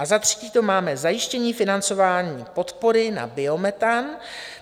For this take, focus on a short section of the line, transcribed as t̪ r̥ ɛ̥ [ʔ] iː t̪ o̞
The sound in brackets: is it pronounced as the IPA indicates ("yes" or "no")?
no